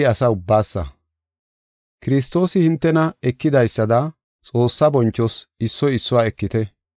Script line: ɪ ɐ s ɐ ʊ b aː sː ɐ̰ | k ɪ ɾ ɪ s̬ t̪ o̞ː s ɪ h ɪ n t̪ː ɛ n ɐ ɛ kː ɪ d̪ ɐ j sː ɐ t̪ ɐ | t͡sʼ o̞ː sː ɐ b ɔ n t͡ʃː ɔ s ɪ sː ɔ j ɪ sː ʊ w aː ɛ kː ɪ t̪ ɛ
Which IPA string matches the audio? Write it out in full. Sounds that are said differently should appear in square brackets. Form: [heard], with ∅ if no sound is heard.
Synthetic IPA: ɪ ɐ s ɐ ʊ [bː] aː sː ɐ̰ | k ɪ ɾ ɪ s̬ t̪ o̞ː s ɪ h ɪ n t̪ː ɛ n ɐ ɛ kː ɪ d̪ ɐ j sː ɐ [d̪] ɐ | t͡sʼ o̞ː sː ɐ b ɔ n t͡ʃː ɔ s ɪ sː ɔ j ɪ sː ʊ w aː ɛ kː ɪ t̪ ɛ

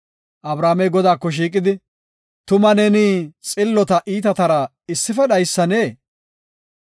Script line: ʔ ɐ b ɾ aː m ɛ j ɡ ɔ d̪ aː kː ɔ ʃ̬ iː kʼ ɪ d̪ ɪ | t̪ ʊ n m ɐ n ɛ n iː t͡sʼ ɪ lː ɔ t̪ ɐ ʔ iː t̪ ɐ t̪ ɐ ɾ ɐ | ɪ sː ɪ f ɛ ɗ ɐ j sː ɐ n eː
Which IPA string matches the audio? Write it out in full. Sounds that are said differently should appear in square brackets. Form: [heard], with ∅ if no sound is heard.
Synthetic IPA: ʔ ɐ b ɾ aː m ɛ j ɡ ɔ d̪ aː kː ɔ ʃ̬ iː kʼ ɪ d̪ ɪ | t̪ ʊ [∅] m ɐ n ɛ n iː t͡sʼ ɪ lː ɔ t̪ ɐ ʔ iː t̪ ɐ t̪ ɐ ɾ ɐ | ɪ sː ɪ f ɛ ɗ ɐ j sː ɐ n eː

